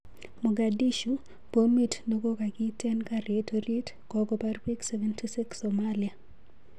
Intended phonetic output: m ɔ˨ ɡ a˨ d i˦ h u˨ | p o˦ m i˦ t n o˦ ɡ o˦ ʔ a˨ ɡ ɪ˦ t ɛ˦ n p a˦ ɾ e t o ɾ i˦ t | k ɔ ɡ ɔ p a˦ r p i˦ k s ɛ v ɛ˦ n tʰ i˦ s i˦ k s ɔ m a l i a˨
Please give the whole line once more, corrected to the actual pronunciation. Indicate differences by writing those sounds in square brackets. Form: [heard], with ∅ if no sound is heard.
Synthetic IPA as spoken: m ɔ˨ ɡ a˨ d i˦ [ʃ] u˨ | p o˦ m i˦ t n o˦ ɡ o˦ [k] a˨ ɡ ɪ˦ t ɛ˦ n [k] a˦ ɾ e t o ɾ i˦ t | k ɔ ɡ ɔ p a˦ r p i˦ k s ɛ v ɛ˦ n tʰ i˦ s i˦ k s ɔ m a l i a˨